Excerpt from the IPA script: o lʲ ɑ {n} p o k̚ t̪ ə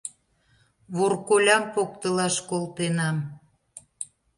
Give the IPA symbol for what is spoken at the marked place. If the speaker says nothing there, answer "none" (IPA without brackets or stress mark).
m